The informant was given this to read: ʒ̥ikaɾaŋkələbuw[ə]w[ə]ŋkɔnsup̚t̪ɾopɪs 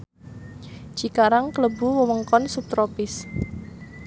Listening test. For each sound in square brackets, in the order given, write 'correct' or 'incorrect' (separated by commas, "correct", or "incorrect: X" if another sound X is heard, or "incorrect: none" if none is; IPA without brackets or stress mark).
correct, correct